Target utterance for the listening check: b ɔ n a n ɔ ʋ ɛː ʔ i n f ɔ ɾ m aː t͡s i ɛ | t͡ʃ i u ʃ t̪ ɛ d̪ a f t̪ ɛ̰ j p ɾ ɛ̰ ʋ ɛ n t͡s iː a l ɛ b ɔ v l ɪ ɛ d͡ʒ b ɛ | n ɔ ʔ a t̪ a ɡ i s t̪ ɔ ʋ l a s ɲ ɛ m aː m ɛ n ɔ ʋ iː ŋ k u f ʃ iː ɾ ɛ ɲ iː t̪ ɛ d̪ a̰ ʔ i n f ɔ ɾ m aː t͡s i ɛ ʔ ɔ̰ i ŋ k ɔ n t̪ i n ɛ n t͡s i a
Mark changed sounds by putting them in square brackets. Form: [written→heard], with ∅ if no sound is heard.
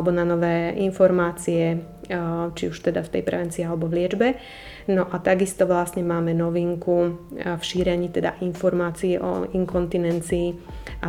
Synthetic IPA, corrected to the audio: b ɔ n a n ɔ ʋ ɛː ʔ i n f ɔ ɾ m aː t͡s i ɛ | t͡ʃ i u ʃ t̪ ɛ d̪ a f t̪ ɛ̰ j p ɾ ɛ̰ ʋ ɛ n t͡s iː a l ɛ b ɔ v l ɪ ɛ d͡ʒ b ɛ | n ɔ ʔ a t̪ a ɡ i s t̪ ɔ ʋ l a s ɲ ɛ m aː m ɛ n ɔ ʋ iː ŋ k u f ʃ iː ɾ ɛ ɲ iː t̪ ɛ d̪ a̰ ʔ i n f ɔ ɾ m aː t͡s i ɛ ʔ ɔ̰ i ŋ k ɔ n t̪ i n ɛ n t͡s [i→iː] a